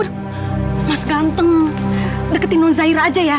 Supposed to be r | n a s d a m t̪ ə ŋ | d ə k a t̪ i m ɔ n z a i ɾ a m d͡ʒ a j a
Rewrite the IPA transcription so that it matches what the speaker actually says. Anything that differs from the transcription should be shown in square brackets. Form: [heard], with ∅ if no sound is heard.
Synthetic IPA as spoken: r | [m] a s [ɡ] a [n] t̪ ə ŋ | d ə k [ə] t̪ i [n] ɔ n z a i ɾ a [∅] d͡ʒ a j a